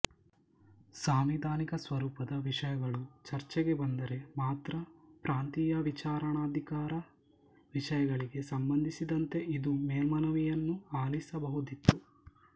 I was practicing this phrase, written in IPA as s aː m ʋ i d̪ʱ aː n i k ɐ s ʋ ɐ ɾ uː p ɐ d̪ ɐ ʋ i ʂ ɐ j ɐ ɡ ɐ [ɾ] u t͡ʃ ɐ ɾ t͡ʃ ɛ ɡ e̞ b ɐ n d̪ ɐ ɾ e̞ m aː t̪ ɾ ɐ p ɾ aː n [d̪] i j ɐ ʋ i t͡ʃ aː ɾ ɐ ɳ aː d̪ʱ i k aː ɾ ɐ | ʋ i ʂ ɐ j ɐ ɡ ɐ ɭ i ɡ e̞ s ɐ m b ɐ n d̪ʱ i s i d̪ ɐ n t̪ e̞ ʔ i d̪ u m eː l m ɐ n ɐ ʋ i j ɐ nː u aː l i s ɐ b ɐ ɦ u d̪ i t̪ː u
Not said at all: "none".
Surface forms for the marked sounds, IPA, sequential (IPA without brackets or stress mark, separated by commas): ɭ, t̪